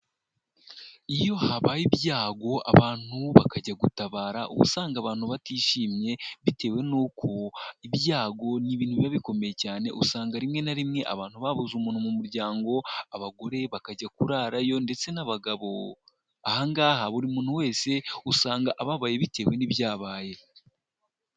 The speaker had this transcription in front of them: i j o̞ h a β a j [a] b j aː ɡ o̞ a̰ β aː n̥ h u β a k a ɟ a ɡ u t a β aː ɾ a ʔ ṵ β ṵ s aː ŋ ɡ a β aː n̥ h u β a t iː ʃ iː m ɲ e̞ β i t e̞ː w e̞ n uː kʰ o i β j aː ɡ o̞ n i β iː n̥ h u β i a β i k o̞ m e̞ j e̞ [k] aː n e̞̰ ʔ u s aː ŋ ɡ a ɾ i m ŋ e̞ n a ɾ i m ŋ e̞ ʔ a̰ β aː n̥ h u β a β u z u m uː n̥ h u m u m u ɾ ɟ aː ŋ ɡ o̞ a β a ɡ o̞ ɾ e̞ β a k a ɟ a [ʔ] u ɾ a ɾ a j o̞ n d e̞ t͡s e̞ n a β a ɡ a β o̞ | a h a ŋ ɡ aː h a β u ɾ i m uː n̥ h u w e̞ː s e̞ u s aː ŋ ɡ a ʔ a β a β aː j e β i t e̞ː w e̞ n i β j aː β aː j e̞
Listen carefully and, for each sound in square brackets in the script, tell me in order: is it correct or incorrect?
incorrect: i, incorrect: c, incorrect: k

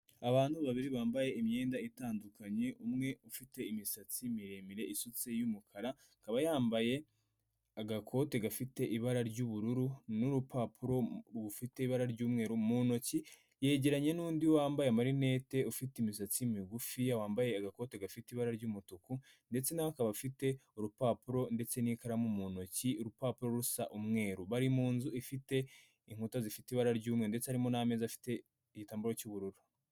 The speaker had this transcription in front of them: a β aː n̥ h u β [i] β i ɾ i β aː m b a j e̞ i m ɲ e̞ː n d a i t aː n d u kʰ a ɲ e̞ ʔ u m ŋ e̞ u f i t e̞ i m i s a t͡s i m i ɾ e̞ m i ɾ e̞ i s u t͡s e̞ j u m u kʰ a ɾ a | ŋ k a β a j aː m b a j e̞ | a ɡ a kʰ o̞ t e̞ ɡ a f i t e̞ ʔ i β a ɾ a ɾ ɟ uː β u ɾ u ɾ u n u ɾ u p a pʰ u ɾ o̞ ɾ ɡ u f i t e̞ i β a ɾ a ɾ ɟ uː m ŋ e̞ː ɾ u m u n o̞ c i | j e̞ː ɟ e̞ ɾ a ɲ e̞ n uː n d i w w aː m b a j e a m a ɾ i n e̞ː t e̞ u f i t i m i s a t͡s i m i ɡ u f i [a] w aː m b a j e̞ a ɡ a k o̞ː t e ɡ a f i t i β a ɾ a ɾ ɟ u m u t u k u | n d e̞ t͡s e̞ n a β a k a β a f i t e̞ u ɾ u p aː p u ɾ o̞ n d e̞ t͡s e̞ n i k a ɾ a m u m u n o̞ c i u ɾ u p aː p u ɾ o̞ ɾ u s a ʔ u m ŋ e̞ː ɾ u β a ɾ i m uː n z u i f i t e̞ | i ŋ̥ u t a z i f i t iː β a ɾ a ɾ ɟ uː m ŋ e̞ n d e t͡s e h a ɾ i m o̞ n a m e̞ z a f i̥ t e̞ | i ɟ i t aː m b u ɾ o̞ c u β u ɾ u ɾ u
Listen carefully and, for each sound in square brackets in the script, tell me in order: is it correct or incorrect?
incorrect: a, correct

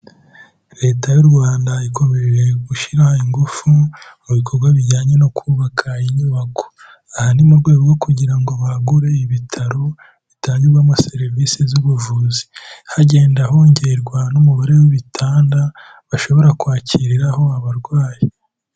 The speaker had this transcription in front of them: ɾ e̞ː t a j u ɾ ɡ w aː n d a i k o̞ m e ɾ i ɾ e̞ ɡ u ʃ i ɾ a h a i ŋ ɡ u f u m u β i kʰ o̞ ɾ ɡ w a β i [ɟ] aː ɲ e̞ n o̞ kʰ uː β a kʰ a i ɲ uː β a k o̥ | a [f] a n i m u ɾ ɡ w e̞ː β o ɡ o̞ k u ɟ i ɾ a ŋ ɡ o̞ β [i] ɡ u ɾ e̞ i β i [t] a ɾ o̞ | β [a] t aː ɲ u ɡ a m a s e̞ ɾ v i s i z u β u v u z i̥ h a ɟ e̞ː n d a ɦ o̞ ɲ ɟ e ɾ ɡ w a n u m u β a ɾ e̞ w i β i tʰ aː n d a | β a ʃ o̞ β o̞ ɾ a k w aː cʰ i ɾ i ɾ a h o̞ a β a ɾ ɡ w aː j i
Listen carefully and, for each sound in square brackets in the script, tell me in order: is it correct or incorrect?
correct, incorrect: h, incorrect: a, incorrect: tʰ, incorrect: i

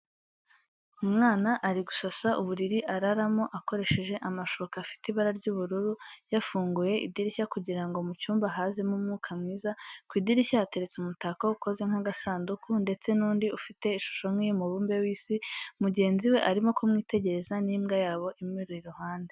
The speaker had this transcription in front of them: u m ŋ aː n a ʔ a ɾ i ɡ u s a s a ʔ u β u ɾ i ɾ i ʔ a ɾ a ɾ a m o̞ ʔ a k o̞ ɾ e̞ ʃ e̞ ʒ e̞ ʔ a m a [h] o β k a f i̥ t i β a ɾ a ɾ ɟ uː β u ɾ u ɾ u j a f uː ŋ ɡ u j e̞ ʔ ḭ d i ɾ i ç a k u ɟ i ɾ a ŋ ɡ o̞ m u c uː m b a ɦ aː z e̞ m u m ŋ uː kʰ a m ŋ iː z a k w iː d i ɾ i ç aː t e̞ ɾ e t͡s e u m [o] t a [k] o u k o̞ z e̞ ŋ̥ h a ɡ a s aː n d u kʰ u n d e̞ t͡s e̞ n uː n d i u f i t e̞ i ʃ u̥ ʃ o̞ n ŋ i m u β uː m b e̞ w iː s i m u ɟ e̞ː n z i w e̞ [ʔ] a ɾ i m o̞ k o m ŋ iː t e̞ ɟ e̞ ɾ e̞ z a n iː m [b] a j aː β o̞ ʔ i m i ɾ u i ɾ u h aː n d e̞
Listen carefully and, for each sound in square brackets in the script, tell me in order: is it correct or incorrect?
incorrect: ʃ, incorrect: u, correct, correct, incorrect: ɡ

